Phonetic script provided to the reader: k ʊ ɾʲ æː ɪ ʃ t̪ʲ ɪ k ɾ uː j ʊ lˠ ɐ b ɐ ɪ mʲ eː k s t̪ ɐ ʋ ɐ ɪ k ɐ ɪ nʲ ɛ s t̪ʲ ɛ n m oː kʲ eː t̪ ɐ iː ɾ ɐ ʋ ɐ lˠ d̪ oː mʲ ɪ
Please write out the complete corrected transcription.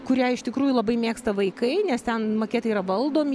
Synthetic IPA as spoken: k ʊ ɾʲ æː ɪ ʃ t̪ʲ ɪ k ɾ uː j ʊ lˠ ɐ b ɐ ɪ mʲ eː k s t̪ ɐ ʋ ɐ ɪ k ɐ ɪ nʲ ɛ s t̪ʲ ɛ n m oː kʲ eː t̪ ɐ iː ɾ ɐ ʋ ɐ lˠ d̪ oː mʲ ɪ